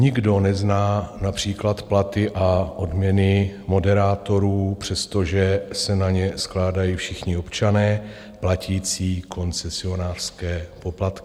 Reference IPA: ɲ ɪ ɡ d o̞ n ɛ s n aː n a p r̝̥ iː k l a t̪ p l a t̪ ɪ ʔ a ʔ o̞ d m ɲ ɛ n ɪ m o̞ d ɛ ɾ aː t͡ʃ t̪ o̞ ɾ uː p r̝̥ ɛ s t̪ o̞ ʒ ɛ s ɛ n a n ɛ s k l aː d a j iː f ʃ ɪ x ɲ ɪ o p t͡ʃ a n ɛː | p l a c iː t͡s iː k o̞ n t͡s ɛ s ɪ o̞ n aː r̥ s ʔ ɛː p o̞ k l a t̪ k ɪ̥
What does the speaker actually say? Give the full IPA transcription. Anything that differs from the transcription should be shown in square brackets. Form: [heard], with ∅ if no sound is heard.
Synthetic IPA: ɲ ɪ ɡ d o̞ n ɛ [z] n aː n a p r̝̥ iː k l a t̪ p l a t̪ ɪ ʔ a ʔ o̞ d m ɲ ɛ n ɪ m o̞ d ɛ ɾ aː [∅] t̪ o̞ ɾ uː p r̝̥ ɛ s t̪ o̞ ʒ ɛ s ɛ n a [ɲ] ɛ s k l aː d a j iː f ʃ ɪ x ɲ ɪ o p t͡ʃ a n ɛː | p l a c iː t͡s iː k o̞ n t͡s ɛ s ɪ o̞ n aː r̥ s [k] ɛː p o̞ [p] l a t̪ k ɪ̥

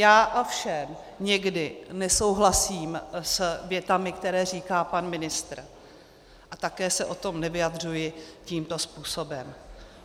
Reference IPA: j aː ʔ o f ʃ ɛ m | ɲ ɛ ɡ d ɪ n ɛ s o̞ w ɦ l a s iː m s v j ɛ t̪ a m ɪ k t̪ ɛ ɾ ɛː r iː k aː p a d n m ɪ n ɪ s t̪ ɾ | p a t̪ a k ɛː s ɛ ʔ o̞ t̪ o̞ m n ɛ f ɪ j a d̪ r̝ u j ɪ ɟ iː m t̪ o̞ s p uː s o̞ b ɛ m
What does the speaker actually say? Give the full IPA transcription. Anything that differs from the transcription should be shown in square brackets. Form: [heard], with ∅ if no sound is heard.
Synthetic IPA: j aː ʔ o f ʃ ɛ m | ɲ ɛ ɡ d ɪ n ɛ s o̞ w ɦ l a s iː m s v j ɛ t̪ a m ɪ k t̪ ɛ ɾ ɛː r iː k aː p a [∅] n m ɪ n ɪ s t̪ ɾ | [ʔ] a t̪ a k ɛː s ɛ ʔ o̞ t̪ o̞ m n ɛ [v] ɪ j a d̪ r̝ u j ɪ [c] iː m t̪ o̞ s p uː s o̞ b ɛ m

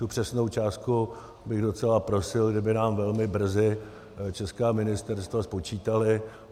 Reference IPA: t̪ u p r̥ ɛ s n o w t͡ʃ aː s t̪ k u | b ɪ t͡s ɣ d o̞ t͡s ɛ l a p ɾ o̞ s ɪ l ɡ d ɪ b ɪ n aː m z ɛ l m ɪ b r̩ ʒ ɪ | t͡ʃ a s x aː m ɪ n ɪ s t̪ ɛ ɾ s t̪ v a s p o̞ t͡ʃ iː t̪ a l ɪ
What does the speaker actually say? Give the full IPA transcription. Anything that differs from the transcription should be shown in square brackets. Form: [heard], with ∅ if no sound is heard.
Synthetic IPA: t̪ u p r̥ ɛ s n o w t͡ʃ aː s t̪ k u | b ɪ [∅] ɣ d o̞ t͡s ɛ l a p ɾ o̞ s ɪ l ɡ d ɪ b ɪ n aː m [v] ɛ l m ɪ b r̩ [z] ɪ | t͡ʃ [ɛ] s [k] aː m ɪ n ɪ s t̪ ɛ ɾ s t̪ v a s p o̞ t͡ʃ iː t̪ a l ɪ

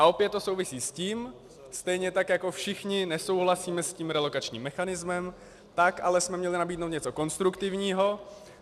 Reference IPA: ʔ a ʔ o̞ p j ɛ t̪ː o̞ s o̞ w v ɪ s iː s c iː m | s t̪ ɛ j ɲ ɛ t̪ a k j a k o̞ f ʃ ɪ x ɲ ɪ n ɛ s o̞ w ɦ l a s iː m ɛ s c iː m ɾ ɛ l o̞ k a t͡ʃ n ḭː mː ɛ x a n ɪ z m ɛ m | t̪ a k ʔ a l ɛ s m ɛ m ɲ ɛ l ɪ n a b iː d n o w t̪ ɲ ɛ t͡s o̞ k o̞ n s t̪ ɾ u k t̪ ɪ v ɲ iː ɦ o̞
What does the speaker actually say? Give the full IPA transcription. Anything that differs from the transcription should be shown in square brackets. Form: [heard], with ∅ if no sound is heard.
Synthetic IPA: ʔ a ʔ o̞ p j ɛ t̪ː o̞ s o̞ w v ɪ s iː s c iː m | s t̪ ɛ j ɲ ɛ t̪ a k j a k o̞ f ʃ ɪ x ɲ ɪ n ɛ s o̞ w ɦ l a s iː m ɛ s c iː m ɾ ɛ l o̞ k a t͡ʃ [ɲ] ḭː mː ɛ x a n ɪ z m ɛ m | t̪ a k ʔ a l ɛ s m ɛ m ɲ ɛ l ɪ n a b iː d n o w t̪ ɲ ɛ t͡s o̞ k o̞ n s t̪ ɾ u k t̪ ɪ v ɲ iː ɦ o̞

